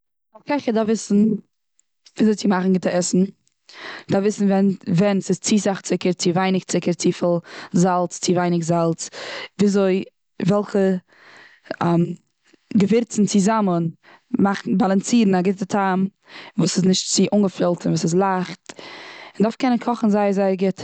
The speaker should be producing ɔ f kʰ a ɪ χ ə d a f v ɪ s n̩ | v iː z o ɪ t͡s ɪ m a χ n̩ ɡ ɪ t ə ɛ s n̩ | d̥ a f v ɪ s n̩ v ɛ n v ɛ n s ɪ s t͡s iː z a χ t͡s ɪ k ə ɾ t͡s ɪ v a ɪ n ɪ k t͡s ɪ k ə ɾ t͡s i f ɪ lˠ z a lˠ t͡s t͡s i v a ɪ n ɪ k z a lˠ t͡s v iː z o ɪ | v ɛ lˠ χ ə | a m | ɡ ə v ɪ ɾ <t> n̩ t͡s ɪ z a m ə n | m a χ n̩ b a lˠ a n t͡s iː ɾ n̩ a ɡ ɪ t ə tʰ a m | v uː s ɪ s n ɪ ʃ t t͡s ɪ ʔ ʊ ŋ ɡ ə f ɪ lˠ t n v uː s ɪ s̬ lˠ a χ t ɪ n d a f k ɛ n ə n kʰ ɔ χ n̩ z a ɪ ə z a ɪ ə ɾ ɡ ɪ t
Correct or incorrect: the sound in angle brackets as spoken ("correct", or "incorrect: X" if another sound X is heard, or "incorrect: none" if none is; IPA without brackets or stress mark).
incorrect: t͡s